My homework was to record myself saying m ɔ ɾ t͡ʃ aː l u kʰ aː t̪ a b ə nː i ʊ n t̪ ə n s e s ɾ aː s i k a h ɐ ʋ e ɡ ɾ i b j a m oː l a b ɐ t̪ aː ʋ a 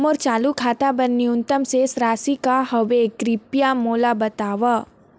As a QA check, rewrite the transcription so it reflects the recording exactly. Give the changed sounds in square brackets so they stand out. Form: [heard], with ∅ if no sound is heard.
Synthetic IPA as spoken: m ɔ ɾ t͡ʃ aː l u kʰ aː t̪ a b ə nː i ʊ n t̪ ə [m] s e s ɾ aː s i k a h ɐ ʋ e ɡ ɾ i [p] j a m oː l a b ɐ t̪ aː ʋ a